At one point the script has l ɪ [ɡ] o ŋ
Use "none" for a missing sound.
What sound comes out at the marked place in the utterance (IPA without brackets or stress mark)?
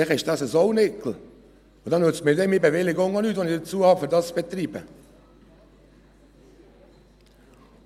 ɡ